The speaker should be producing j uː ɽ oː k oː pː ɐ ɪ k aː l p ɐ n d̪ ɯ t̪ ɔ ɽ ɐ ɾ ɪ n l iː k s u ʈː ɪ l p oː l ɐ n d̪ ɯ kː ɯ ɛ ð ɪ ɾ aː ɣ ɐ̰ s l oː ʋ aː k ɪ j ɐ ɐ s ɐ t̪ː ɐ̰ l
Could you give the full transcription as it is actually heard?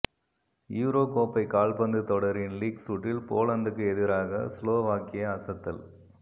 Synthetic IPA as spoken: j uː ɾ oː k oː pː ɐ ɪ k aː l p ɐ n d̪ ɯ t̪ ɔ ɽ ɐ ɾ ɪ n l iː k s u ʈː ɪ l p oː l ɐ n d̪ ɯ kː ɯ ɛ ð ɪ ɾ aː ɣ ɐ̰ s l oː ʋ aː k ɪ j ɐ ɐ s ɐ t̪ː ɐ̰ l